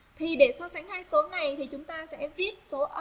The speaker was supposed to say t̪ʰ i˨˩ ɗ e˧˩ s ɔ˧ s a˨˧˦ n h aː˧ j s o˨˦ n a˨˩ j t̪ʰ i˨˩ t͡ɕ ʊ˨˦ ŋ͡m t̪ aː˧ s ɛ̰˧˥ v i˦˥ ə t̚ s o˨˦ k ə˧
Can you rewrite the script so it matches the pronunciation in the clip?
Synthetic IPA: t̪ʰ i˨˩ ɗ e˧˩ s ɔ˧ s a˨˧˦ ŋ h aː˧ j s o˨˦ n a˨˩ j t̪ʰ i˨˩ t͡ɕ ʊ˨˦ ŋ͡m t̪ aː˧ s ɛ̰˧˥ v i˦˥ ə t̚ s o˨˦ ʔ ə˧

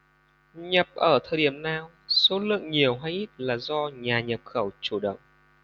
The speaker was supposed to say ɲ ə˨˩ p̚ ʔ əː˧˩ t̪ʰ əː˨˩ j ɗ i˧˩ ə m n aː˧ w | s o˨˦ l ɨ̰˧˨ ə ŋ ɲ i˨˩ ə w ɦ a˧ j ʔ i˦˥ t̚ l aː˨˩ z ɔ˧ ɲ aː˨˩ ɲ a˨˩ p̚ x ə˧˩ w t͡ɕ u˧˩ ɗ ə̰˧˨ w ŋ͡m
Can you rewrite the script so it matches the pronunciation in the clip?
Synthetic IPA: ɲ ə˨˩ p̚ ʔ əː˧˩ t̪ʰ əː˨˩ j ɗ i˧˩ ə m n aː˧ w | s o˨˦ l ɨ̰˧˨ ə ŋ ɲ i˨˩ ə w ɦ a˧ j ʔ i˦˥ t̚ l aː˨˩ z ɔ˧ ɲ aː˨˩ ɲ ə˨˩ p̚ x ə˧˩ w t͡ɕ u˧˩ ɗ ə̰˧˨ w ŋ͡m

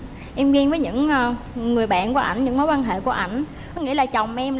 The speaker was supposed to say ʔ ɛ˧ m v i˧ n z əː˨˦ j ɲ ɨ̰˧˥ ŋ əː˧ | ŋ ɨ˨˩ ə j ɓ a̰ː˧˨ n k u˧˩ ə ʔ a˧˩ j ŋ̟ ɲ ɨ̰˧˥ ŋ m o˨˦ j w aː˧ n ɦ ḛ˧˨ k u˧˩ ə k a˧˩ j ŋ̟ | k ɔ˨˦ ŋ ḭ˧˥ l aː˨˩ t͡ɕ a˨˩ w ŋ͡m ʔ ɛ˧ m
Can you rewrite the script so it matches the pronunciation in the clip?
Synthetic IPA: ʔ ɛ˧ m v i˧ n v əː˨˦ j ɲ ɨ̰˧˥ ŋ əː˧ | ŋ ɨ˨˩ ə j ɓ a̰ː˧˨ n k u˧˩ ə ʔ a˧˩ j ŋ̟ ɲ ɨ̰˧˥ ŋ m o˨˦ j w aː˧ n ɦ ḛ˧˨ k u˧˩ ə ʔ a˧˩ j ŋ̟ | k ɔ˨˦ ŋ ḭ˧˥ l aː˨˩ t͡ɕ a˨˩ w ŋ͡m ʔ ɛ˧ m

